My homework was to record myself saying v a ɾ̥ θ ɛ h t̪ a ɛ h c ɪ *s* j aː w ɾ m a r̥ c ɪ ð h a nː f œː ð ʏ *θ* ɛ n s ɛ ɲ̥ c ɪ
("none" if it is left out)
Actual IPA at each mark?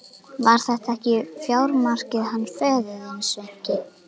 f, ð

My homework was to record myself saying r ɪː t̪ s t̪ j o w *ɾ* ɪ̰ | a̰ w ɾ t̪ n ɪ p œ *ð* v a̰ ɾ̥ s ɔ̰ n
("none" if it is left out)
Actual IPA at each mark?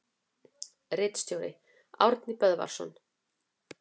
ɾ, ð

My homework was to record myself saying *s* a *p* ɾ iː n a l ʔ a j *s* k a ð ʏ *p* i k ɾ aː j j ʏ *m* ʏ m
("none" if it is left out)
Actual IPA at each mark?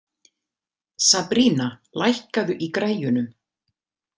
s, p, h, ʔ, n

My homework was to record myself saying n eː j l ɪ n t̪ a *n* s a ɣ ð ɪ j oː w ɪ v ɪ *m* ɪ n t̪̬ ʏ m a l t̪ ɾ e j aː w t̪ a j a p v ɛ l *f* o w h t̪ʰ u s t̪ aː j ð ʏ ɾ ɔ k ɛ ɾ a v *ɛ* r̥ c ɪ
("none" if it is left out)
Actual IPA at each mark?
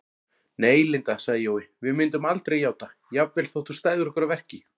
none, m, θ, ɛ

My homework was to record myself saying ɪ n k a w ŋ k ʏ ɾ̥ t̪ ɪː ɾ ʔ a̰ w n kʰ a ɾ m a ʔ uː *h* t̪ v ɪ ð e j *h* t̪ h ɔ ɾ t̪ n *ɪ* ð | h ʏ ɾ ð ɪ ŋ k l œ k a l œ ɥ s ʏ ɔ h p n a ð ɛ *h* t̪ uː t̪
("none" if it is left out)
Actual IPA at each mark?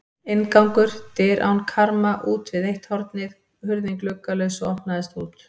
none, h, ɪ, s

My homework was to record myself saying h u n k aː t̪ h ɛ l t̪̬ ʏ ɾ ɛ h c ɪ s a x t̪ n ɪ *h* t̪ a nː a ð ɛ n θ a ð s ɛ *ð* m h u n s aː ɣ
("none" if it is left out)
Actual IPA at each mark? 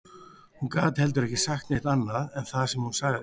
h, none

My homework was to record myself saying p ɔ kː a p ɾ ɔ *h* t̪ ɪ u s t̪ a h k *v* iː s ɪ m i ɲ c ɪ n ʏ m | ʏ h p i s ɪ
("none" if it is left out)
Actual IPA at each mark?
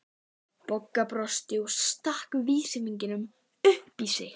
s, v

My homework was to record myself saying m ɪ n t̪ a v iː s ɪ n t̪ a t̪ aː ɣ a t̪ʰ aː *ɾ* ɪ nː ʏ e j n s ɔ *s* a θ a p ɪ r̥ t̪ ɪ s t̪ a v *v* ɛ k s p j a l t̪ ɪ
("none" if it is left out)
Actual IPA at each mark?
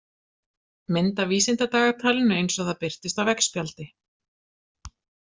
l, none, v

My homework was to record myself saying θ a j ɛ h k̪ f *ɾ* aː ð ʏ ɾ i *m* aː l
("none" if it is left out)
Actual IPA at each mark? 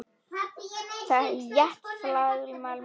l, m

